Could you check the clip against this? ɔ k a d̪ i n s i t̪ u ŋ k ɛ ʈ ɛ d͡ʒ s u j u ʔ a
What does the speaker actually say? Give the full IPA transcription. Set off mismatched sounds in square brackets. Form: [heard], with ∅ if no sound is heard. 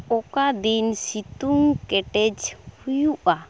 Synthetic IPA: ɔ k a d̪ i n s i t̪ u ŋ k ɛ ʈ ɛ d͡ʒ [h] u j u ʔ a